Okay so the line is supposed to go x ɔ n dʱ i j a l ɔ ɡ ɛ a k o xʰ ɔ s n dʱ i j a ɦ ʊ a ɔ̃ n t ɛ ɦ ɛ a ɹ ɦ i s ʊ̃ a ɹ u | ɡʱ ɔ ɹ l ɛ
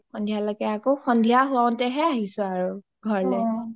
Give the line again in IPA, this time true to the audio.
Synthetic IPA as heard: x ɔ n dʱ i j a l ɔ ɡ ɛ a k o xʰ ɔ n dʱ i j a ɦ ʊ a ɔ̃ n t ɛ ɦ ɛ a ɦ i s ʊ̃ a ɹ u | ɡʱ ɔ ɹ l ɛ